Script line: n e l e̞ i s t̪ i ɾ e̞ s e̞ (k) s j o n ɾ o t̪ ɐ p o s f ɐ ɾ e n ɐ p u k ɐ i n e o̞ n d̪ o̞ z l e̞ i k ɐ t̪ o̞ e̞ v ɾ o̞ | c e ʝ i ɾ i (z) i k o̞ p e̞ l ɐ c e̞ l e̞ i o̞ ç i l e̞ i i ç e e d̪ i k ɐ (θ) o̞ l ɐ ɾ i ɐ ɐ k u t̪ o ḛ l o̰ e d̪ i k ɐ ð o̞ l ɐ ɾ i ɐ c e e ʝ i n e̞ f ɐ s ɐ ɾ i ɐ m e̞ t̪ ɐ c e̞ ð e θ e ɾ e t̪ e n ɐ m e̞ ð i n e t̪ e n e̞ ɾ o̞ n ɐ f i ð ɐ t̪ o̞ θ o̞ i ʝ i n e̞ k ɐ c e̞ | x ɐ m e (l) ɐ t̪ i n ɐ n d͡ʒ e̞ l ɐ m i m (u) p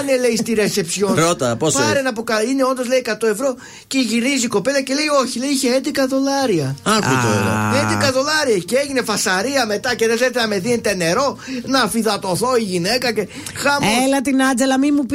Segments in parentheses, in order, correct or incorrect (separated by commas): incorrect, correct, incorrect, correct, correct